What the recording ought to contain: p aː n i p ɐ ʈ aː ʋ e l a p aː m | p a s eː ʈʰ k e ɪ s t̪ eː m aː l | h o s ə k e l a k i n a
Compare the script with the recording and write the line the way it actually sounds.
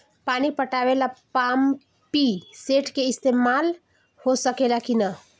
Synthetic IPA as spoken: p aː n i p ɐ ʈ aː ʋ e l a p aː m | p i s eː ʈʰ k e ɪ s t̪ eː m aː l | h o s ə k e l a k i n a